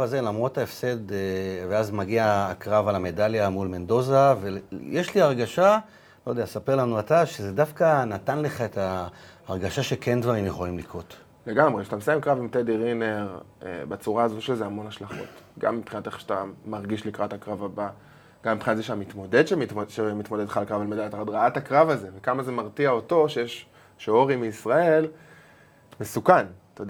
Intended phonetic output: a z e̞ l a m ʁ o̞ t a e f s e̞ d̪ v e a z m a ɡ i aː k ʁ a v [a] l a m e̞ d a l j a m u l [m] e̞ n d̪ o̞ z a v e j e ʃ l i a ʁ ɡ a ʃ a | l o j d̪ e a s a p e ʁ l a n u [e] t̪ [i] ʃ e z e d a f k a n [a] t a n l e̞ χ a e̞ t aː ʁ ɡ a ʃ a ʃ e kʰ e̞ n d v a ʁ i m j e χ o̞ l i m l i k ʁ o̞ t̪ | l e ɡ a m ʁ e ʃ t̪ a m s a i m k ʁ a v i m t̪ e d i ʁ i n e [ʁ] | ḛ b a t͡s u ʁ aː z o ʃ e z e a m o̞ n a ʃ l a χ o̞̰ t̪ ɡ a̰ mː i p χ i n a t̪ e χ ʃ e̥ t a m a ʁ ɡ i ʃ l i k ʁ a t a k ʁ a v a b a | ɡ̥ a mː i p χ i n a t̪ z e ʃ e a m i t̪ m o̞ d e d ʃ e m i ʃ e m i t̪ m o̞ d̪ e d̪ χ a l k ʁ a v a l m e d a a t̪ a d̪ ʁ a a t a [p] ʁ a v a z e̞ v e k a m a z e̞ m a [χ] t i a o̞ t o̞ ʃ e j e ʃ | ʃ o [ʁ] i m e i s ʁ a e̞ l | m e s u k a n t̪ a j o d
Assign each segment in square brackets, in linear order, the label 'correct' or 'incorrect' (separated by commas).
correct, correct, incorrect, incorrect, correct, correct, incorrect, incorrect, correct